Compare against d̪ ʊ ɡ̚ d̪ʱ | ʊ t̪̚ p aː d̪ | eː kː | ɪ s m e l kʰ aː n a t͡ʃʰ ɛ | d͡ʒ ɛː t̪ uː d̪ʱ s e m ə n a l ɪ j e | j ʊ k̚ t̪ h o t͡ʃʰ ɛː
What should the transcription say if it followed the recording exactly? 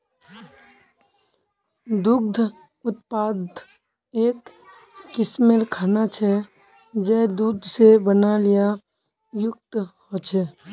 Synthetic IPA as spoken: d̪ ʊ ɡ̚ d̪ʱ | ʊ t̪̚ p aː d̪ | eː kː | ɪ s m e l kʰ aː n a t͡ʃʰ ɛ | d͡ʒ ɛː d̪ uː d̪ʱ s e b ə n a l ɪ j a | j ʊ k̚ t̪ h o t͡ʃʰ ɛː